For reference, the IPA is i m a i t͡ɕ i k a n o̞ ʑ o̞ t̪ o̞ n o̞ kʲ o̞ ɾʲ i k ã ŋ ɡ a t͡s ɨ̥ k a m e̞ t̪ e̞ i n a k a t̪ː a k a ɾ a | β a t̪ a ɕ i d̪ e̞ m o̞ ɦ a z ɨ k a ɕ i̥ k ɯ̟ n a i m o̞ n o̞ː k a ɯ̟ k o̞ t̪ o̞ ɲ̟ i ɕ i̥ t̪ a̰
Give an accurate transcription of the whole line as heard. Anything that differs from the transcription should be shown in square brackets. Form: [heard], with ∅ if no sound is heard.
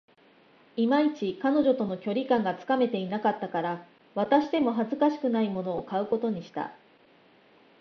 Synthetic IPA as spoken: i m a i t͡ɕ i k a n o̞ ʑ o̞ t̪ o̞ n o̞ kʲ o̞ ɾʲ i k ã ŋ ɡ a t͡s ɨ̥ k a m e̞ t̪ e̞ i n a k a t̪ː a k a ɾ a | β a t̪ a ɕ i d̪ e̞ m o̞ ɦ a z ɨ k a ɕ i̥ k ɯ̟ n a i m o̞ n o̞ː k a ɯ̟ k o̞ t̪ o̞ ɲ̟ i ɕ i̥ t̪ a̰